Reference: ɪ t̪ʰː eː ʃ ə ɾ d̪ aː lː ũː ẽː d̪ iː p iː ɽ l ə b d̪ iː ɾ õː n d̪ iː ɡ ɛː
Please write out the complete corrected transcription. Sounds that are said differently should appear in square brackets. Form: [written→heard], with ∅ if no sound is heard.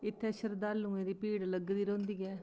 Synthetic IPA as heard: ɪ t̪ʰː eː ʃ ə ɾ d̪ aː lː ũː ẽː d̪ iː p iː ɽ l ə [b→ɡ] d̪ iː ɾ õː n d̪ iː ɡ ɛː